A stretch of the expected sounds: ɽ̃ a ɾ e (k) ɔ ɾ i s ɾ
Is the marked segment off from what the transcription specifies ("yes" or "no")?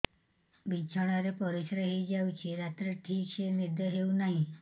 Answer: yes